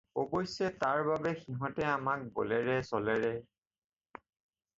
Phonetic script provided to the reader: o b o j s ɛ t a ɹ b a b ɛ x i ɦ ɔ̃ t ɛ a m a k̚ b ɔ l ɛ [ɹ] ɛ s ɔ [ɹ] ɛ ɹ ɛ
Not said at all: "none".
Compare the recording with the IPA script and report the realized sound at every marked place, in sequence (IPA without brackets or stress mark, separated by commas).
ɹ, l